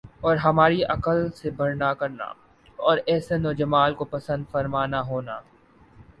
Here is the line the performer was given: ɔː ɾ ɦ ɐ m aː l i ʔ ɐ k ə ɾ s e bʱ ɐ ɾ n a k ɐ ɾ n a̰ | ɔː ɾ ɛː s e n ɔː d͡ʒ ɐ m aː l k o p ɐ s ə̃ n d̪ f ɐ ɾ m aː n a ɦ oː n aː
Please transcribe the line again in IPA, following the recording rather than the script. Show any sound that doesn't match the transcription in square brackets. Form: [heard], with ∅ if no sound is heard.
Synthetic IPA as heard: ɔː ɾ ɦ ɐ m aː [ɾ] i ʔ ɐ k ə [l] s e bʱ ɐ ɾ n a k ɐ ɾ n a̰ | ɔː ɾ ɛː s e n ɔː d͡ʒ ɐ m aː l k o p ɐ s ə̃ n d̪ f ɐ ɾ m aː n a ɦ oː n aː